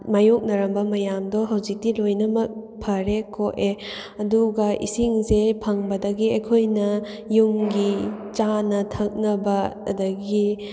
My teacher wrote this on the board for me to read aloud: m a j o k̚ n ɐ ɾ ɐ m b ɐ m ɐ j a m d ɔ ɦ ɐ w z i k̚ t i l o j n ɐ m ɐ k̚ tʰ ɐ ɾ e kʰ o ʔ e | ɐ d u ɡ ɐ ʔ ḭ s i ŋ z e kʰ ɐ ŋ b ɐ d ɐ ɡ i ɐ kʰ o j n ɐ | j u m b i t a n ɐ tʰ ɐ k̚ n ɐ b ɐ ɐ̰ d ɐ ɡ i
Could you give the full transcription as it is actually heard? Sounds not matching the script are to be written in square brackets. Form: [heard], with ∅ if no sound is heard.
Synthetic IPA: m a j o k̚ n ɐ ɾ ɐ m b ɐ m ɐ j a m d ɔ ɦ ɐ w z i k̚ t i l o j n ɐ m ɐ k̚ [pʰ] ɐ ɾ e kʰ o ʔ e | ɐ d u ɡ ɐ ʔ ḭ s i ŋ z e [pʰ] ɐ ŋ b ɐ d ɐ ɡ i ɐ kʰ o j n ɐ | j u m [ɡ] i [t͡ʃ] a n ɐ tʰ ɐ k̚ n ɐ b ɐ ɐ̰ d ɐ ɡ i